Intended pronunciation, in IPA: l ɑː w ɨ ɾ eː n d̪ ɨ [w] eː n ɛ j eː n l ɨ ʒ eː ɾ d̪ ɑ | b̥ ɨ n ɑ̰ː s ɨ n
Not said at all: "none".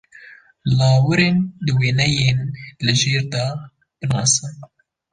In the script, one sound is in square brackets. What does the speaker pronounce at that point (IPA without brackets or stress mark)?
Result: w